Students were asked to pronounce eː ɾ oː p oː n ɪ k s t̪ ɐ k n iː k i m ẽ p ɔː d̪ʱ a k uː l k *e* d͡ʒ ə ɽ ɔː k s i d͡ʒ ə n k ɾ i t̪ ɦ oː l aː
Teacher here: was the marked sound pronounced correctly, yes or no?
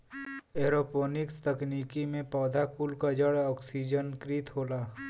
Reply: no